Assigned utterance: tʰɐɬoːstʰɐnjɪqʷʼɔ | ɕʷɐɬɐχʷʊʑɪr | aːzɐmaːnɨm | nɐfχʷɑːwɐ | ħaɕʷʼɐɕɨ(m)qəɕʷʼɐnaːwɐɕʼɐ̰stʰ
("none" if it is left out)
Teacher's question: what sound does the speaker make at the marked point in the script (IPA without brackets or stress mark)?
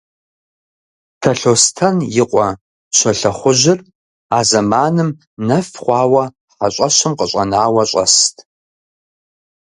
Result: m